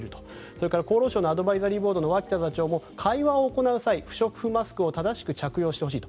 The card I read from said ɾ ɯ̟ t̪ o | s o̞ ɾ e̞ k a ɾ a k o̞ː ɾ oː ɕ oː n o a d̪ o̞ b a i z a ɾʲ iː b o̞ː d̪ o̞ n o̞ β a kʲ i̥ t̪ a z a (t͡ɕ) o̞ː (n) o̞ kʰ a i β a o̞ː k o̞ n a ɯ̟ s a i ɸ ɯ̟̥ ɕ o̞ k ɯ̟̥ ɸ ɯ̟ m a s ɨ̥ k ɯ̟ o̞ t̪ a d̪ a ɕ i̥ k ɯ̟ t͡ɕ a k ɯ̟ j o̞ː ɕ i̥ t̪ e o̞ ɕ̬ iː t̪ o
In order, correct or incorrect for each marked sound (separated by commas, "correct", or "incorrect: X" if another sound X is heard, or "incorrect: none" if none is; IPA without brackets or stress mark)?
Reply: correct, incorrect: m